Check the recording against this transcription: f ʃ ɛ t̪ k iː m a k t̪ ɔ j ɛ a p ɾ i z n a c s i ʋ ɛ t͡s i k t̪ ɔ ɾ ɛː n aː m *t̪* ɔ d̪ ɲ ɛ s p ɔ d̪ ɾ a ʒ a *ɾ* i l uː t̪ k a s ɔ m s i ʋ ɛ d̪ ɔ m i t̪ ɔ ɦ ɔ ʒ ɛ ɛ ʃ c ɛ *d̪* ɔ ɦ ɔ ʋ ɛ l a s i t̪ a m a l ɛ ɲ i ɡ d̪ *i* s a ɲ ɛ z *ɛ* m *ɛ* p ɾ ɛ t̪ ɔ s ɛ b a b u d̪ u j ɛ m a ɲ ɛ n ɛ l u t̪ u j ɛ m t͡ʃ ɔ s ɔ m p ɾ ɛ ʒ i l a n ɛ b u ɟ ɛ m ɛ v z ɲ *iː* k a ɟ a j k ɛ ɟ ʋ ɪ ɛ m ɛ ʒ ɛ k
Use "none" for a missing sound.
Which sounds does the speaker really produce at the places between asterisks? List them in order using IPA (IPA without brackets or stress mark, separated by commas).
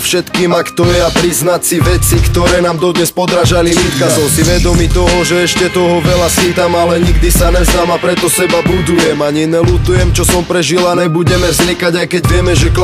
d̪, l, t̪, i, a, a, i